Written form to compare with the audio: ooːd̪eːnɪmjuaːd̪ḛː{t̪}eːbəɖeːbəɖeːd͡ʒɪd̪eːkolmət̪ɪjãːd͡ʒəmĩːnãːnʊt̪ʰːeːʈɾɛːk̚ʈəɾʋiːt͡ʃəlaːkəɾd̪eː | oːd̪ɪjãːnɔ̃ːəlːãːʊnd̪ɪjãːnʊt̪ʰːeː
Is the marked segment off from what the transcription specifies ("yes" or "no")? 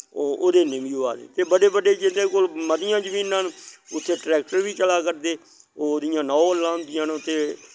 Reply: no